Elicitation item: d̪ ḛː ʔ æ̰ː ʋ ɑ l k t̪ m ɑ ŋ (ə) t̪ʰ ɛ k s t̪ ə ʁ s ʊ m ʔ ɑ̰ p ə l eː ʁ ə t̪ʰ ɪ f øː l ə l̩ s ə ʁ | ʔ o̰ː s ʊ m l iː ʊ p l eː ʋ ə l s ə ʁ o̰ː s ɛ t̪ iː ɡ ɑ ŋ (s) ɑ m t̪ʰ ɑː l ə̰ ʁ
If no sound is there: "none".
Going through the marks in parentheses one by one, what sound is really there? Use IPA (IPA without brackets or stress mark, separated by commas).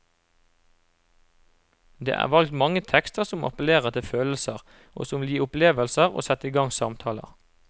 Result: ə, s